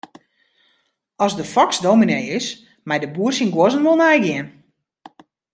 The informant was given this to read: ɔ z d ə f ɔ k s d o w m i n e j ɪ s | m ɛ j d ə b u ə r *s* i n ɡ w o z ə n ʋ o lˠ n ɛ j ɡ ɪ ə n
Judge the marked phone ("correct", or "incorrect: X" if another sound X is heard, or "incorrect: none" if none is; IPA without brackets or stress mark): correct